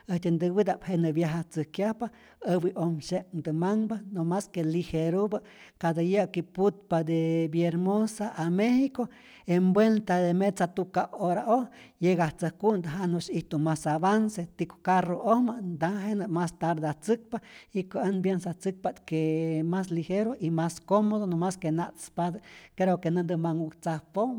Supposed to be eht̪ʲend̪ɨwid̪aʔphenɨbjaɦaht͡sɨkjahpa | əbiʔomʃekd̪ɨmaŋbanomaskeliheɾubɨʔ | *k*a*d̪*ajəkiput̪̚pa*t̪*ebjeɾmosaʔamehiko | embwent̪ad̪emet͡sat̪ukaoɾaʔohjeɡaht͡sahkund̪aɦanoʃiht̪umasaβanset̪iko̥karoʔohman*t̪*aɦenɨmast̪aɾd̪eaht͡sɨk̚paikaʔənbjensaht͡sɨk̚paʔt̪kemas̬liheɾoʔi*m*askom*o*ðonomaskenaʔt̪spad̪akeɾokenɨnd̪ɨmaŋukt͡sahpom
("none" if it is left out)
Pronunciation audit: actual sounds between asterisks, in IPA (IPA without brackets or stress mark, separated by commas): k, d̪, d̪, d̪, m, o